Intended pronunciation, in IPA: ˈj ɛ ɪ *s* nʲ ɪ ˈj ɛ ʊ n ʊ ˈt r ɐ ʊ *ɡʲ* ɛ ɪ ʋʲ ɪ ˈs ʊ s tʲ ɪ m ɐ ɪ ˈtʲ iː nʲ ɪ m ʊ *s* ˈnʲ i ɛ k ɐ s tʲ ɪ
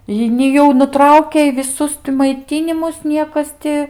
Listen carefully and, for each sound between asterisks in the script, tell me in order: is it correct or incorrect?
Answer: incorrect: none, incorrect: kʲ, correct

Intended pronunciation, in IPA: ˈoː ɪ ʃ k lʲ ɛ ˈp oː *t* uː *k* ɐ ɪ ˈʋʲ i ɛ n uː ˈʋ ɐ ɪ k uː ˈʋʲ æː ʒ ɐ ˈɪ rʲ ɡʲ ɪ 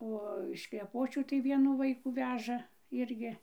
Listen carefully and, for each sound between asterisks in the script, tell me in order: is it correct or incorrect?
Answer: incorrect: t͡ʃʲ, incorrect: t

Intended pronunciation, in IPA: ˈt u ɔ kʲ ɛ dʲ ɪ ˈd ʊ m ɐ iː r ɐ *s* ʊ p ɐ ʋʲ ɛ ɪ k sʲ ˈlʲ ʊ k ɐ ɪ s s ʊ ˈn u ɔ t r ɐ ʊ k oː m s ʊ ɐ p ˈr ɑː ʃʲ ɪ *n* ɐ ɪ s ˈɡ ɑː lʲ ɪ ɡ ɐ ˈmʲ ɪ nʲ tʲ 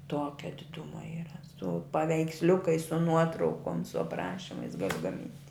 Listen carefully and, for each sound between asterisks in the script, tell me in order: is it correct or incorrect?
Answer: correct, incorrect: m

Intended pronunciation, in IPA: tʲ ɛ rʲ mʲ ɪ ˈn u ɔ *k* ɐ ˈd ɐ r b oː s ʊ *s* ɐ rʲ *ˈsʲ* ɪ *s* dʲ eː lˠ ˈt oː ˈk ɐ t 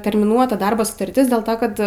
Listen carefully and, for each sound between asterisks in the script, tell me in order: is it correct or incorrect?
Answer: incorrect: t, incorrect: t, incorrect: tʲ, correct

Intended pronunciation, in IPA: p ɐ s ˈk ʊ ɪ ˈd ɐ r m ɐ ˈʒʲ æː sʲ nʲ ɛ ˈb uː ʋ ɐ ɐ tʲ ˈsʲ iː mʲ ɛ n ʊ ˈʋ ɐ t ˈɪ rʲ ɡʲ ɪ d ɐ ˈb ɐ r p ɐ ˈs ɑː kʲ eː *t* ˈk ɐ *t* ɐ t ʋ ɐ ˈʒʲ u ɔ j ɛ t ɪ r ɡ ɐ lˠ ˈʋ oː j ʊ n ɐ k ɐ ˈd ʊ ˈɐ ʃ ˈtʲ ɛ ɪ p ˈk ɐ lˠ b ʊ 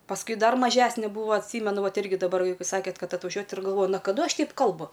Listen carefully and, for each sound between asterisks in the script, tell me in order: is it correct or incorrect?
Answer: correct, correct

